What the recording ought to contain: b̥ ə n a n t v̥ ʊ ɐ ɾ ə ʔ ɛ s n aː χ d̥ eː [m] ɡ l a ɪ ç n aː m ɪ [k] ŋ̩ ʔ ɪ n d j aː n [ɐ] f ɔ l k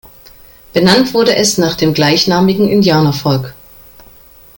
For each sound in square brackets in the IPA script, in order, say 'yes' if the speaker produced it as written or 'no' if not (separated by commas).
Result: yes, no, yes